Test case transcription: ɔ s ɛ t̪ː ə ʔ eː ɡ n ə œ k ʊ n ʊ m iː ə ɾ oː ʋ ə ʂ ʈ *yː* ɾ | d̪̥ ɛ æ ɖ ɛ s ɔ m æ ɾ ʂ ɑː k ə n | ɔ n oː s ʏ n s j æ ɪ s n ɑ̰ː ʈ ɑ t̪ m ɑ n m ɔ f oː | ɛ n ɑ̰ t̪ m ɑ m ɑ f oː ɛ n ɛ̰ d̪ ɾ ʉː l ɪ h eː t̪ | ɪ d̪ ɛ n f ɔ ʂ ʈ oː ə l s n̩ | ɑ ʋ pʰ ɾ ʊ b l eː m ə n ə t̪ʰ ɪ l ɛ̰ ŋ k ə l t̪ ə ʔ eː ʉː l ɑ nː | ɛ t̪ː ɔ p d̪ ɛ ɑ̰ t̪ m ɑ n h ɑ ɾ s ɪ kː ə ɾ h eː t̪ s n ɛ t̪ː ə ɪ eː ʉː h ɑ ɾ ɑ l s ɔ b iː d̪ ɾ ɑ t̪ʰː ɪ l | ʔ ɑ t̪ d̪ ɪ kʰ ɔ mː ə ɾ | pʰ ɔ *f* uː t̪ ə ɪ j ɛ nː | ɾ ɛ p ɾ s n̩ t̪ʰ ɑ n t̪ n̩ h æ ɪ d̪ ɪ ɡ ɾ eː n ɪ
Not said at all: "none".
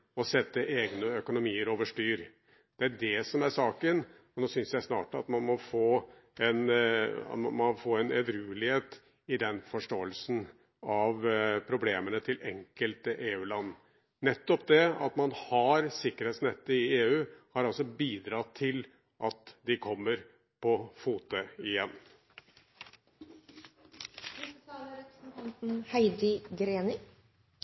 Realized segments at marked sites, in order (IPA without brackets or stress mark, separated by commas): yː, f